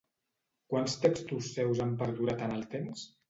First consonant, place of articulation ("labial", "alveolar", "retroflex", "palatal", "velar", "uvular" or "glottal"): velar